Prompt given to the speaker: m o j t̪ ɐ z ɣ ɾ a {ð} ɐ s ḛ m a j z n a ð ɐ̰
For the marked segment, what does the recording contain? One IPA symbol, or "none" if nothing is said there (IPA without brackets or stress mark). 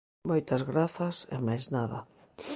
θ